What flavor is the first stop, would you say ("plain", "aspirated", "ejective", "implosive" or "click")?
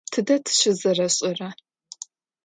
aspirated